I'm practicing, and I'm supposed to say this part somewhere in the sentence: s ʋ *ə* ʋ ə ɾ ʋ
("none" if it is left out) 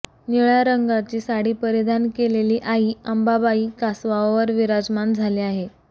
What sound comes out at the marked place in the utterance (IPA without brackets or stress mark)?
a